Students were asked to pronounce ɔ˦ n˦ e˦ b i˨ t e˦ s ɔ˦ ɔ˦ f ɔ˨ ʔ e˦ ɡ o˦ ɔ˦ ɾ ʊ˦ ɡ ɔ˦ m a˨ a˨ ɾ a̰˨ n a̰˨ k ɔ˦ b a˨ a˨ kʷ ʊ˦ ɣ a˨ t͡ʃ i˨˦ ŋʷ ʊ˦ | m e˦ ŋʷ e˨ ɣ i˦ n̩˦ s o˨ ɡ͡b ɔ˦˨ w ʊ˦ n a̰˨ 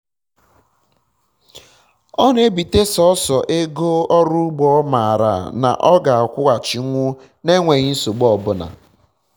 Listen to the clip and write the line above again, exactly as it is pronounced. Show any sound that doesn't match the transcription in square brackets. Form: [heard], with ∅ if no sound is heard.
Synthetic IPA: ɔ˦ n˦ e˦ b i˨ t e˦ s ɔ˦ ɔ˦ [s] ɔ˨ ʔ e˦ ɡ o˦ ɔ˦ ɾ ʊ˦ [ɡ͡b] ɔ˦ m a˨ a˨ ɾ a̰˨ n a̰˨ [ʔ] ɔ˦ [ɡ] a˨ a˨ kʷ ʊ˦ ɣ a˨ t͡ʃ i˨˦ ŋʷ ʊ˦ | [n] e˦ ŋʷ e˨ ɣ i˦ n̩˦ s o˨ ɡ͡b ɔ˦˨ [b] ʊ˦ n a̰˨